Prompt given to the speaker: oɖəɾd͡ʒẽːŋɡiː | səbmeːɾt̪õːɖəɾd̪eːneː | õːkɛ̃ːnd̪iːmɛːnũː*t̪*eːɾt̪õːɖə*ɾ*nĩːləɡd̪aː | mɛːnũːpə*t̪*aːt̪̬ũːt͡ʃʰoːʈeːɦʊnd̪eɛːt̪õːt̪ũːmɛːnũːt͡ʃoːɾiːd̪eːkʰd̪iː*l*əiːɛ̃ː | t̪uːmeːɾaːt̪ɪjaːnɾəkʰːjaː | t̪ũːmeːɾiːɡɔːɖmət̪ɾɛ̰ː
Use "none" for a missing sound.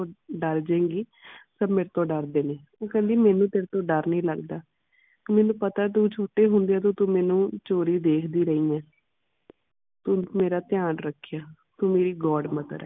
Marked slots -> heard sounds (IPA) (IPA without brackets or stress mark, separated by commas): t̪, ɾ, t̪, ɾ